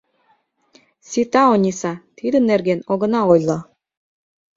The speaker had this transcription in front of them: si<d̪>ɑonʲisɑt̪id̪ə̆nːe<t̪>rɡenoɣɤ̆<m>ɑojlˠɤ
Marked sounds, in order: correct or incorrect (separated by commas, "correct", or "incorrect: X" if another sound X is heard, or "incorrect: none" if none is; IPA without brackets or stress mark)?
incorrect: t̪, incorrect: none, incorrect: n